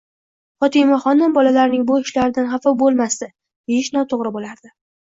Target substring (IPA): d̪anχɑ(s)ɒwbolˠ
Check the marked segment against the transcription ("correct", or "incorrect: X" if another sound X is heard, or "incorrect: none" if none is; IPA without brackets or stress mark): incorrect: f